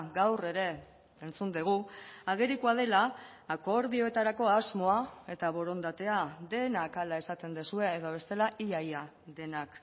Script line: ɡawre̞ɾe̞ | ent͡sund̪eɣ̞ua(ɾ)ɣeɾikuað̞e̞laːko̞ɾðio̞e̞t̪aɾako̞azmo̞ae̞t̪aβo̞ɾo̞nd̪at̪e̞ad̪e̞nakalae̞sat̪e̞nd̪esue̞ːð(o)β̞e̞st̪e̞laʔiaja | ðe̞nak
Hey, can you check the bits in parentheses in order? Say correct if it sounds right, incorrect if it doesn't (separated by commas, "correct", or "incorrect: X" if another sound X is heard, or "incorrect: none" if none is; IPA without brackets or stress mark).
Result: incorrect: none, correct